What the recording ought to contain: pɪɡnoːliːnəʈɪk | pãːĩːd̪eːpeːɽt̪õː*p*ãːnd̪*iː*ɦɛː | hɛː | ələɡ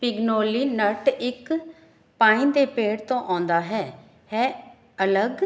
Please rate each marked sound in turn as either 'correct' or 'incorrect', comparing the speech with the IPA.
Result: incorrect, incorrect

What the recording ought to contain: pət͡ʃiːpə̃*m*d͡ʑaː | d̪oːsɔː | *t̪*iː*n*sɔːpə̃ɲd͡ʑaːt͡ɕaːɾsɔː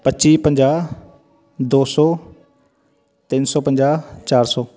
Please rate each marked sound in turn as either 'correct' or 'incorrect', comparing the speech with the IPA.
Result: incorrect, correct, correct

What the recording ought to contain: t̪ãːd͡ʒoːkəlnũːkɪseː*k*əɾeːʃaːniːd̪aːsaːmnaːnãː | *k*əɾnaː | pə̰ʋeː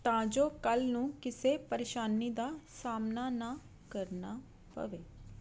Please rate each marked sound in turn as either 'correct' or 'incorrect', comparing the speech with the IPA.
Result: incorrect, correct

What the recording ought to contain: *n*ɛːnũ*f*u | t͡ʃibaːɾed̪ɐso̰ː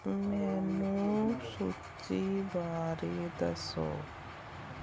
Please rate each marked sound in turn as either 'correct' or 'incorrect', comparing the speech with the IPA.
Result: incorrect, incorrect

